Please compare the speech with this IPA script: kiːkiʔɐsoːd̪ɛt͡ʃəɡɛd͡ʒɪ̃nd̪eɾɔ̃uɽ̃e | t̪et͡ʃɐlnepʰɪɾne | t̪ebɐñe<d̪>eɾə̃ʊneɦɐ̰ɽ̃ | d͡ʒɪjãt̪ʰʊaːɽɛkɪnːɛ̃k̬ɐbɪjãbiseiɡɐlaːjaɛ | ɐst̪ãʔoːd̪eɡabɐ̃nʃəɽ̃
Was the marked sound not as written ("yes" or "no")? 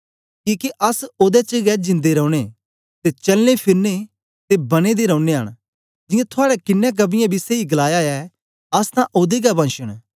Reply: no